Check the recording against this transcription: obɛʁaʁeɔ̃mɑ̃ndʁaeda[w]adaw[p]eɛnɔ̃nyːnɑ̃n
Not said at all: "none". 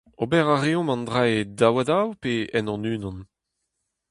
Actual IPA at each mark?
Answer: w, p

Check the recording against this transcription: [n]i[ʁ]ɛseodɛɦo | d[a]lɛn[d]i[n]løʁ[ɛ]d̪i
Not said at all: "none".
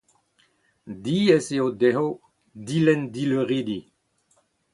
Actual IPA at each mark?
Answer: d, none, i, d, none, i

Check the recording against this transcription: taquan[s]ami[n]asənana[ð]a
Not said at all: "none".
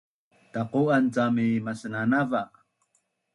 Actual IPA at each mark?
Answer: t͡s, m, v

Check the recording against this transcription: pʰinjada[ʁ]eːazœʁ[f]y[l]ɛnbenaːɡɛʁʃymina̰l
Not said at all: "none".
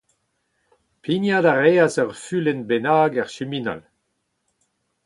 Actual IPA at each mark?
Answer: ʁ, f, l

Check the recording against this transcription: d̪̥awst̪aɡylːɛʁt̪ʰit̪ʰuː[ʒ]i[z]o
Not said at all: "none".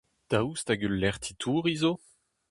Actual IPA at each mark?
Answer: ʁ, z

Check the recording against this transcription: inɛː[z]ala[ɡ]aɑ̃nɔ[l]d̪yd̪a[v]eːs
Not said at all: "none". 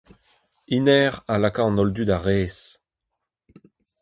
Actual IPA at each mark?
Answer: ʁ, k, l, ʁ

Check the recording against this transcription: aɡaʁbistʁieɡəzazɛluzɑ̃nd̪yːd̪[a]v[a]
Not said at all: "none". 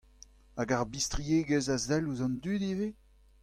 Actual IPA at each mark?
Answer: i, e

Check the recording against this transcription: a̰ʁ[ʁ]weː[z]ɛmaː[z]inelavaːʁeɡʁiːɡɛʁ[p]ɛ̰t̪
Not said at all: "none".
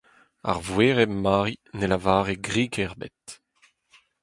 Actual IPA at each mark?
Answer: v, ʁ, ʁ, b

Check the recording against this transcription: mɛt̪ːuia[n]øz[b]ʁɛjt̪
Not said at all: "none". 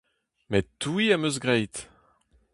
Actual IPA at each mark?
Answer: m, ɡ

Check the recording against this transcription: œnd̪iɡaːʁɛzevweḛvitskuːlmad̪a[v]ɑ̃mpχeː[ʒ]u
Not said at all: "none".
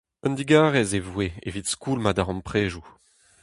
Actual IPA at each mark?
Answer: ʁ, ʒ

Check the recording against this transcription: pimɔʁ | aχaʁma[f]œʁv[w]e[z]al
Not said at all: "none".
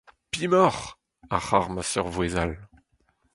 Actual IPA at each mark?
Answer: s, w, z

